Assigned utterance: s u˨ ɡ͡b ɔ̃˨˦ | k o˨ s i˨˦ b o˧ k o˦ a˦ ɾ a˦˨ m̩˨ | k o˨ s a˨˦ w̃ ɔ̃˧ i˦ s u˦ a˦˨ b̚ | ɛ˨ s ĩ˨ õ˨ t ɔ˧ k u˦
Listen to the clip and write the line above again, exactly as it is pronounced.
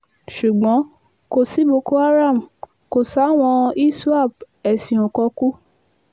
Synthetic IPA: ʃ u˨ ɡ͡b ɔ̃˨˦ | k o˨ s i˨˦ b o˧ k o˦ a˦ ɾ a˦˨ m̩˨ | k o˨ s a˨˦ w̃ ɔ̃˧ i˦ s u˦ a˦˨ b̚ | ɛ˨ s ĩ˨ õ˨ k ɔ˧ k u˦

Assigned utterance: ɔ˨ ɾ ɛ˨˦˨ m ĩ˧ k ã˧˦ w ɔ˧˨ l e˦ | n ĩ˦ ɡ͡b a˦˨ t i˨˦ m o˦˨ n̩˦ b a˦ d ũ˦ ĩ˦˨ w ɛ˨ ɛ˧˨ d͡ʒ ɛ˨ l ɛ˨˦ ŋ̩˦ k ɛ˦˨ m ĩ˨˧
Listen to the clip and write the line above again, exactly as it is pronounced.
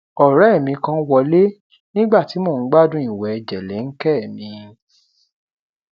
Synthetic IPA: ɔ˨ ɾ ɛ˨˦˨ m ĩ˧ k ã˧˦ w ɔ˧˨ l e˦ | n ĩ˦ ɡ͡b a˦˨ t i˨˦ m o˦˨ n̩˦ ɡ͡b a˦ d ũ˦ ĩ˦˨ w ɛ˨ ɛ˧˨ d͡ʒ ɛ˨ l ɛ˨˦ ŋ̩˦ k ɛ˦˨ m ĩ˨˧

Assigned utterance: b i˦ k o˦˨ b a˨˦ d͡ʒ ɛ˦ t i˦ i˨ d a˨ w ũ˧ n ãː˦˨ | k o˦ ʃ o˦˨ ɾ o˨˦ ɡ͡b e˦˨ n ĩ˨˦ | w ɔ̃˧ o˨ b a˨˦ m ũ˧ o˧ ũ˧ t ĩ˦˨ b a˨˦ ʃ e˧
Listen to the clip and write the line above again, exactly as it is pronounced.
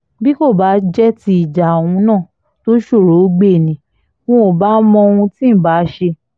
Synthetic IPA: b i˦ k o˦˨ b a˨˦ d͡ʒ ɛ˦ t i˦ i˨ d͡ʒ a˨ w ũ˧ n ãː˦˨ | t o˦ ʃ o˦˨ ɾ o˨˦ ɡ͡b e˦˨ n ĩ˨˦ | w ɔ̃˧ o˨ b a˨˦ m ɔ̃˧ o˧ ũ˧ t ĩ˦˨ b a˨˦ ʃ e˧

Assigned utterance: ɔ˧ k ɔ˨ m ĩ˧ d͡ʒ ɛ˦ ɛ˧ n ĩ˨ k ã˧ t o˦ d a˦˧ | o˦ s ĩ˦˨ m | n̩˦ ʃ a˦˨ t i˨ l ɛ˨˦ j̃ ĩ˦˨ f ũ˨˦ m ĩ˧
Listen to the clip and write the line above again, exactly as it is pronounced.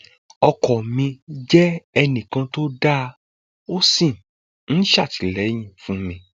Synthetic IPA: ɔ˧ k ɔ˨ m ĩ˧ d͡ʒ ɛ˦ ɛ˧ n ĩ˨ k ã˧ t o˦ d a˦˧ | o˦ s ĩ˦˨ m | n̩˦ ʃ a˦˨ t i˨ l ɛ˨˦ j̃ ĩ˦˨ f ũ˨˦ m ĩ˧

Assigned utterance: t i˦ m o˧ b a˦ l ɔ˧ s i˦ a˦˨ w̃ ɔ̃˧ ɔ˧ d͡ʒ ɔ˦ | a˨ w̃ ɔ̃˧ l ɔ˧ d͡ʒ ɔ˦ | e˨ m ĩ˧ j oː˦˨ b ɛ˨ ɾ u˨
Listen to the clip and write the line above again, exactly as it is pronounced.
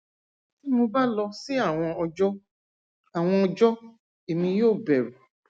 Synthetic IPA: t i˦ m o˧ b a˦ l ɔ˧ s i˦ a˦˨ w̃ ɔ̃˧ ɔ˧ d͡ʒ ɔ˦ | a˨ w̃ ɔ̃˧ ɔ˧ d͡ʒ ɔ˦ | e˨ m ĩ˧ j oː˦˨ b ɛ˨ ɾ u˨

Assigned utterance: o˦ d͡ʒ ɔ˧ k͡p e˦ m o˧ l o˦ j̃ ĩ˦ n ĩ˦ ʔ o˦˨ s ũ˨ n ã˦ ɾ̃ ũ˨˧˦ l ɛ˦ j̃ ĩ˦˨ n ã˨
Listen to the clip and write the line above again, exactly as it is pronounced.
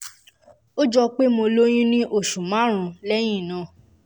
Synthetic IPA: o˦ d͡ʒ ɔ˧ k͡p e˦ m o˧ l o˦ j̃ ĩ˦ n ĩ˦ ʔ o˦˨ ʃ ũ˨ m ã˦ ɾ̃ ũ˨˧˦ l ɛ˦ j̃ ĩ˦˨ n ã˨

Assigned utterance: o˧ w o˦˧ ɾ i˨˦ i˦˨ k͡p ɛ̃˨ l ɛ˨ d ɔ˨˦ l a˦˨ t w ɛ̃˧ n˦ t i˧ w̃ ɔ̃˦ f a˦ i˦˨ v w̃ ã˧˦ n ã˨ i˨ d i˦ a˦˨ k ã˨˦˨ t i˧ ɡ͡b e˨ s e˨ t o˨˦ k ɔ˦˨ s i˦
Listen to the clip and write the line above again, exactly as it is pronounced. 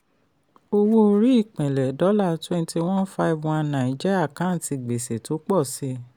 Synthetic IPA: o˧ w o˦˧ ɾ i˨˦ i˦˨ k͡p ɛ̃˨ l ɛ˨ d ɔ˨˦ l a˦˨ t w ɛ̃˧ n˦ t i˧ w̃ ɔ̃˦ f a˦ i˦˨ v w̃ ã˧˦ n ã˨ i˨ d͡ʒ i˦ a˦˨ k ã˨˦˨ t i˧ ɡ͡b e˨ s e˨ t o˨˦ k͡p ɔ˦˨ s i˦

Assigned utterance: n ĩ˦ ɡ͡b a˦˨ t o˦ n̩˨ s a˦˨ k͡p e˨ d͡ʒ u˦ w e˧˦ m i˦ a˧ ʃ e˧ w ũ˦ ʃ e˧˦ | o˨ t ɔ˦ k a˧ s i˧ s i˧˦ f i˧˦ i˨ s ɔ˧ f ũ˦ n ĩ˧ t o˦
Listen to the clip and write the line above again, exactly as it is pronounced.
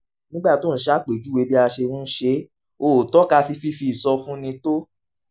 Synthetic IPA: n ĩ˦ ɡ͡b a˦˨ t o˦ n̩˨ ʃ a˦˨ k͡p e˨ d͡ʒ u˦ w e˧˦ b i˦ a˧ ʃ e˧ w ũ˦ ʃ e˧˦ | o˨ t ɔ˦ k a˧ s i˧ f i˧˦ f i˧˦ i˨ s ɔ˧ f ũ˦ n ĩ˧ t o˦

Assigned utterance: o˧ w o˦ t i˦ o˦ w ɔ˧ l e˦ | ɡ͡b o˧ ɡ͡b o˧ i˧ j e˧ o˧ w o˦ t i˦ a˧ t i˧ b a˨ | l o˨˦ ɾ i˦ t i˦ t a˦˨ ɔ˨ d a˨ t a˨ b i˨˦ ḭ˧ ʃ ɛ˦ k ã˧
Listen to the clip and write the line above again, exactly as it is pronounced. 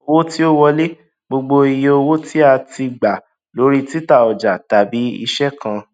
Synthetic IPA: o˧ w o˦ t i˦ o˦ w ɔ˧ l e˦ | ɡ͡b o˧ ɡ͡b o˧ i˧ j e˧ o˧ w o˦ t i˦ a˧ t i˧ ɡ͡b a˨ | l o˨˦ ɾ i˦ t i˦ t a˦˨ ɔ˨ d͡ʒ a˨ t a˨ b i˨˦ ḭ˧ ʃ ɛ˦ k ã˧

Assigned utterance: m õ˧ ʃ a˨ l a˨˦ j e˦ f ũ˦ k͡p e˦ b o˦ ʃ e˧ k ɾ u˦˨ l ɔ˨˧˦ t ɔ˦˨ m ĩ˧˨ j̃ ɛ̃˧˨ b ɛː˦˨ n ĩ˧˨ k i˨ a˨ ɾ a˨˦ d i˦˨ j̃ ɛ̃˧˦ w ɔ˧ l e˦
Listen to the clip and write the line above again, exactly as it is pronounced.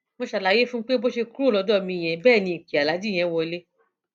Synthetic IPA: m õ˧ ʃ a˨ l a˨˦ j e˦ f ũ˦ k͡p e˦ b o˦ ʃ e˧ k ɾ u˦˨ l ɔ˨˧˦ d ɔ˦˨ m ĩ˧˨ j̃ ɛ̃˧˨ b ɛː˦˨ n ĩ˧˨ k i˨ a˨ l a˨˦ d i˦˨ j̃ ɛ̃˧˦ w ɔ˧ l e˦

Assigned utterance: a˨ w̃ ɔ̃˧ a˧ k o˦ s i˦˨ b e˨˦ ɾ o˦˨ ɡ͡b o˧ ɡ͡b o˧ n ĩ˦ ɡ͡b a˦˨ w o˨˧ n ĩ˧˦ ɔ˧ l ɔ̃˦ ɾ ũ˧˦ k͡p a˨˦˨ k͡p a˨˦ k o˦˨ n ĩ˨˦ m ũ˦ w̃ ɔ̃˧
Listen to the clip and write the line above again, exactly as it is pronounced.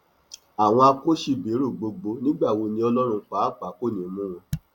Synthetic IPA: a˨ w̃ ɔ̃˧ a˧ k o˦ ʃ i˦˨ b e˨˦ ɾ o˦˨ ɡ͡b o˧ ɡ͡b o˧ n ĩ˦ ɡ͡b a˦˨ w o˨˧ n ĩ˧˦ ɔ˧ l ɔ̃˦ ɾ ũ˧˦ k͡p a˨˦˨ k͡p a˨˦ k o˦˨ n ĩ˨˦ m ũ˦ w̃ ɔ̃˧

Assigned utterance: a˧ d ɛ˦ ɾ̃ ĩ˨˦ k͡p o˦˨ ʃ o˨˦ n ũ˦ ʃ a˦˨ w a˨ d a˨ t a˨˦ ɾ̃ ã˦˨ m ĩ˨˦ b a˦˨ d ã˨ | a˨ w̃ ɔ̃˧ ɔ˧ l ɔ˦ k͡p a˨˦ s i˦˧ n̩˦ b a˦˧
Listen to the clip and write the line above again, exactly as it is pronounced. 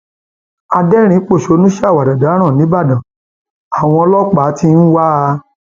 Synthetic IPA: a˧ d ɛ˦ ɾ̃ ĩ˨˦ k͡p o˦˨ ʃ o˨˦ n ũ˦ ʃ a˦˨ w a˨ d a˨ d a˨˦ ɾ̃ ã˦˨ n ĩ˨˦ b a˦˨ d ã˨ | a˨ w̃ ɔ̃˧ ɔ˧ l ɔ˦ k͡p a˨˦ t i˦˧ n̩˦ w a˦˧

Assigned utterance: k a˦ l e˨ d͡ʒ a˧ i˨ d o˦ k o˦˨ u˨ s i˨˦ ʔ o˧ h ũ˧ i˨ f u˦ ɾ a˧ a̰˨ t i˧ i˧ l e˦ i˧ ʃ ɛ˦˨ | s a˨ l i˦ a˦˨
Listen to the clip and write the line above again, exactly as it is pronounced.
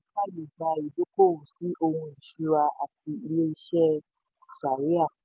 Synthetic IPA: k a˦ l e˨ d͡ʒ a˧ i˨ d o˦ k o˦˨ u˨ s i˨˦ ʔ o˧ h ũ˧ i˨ ʃ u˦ ɾ a˧ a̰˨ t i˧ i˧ l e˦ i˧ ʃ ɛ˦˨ | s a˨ ɾ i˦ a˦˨

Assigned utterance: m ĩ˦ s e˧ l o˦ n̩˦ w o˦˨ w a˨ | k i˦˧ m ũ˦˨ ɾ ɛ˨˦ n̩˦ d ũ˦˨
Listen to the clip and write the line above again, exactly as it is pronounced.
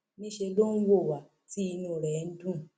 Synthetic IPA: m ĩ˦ ʃ e˧ l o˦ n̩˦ w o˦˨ w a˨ | t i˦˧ n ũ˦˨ ɾ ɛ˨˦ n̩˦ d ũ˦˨

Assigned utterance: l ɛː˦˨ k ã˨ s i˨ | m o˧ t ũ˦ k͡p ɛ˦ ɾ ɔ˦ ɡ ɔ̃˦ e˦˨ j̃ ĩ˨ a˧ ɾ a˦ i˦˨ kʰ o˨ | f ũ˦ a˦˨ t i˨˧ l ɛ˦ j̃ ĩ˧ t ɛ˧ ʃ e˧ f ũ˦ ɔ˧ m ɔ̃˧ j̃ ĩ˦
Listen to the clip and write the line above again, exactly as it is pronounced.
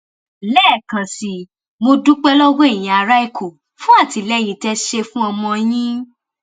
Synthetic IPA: l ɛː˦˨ k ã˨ s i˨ | m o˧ d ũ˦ k͡p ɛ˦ l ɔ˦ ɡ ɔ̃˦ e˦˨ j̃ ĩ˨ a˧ ɾ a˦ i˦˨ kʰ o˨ | f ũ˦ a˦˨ t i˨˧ l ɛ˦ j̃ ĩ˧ t ɛ˧ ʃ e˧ f ũ˦ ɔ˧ m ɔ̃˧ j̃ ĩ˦

